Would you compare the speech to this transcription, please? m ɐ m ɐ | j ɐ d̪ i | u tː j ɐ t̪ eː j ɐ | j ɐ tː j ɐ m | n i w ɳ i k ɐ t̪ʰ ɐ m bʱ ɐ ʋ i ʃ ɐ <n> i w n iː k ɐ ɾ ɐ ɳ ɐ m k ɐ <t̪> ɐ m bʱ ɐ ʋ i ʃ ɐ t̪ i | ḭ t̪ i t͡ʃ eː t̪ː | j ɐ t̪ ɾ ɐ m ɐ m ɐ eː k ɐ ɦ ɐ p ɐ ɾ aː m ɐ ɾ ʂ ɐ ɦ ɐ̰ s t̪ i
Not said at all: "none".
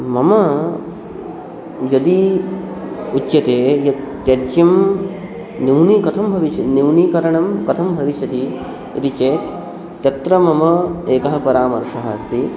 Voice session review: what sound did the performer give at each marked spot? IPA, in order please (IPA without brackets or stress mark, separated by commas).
n, t̪ʰ